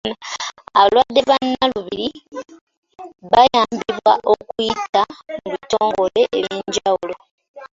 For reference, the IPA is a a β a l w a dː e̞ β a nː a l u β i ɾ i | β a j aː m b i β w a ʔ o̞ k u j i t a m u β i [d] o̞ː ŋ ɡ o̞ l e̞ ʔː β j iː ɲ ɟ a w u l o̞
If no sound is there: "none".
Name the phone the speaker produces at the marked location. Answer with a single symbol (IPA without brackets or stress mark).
t